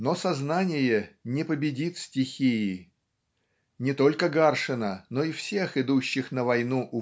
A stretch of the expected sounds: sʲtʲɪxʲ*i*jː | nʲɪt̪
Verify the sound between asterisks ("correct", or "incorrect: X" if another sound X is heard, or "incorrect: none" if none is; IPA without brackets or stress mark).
correct